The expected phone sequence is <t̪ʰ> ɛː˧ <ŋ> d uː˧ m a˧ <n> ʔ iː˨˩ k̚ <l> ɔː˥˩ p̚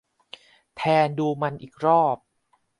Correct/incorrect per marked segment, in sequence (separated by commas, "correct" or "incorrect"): correct, incorrect, correct, incorrect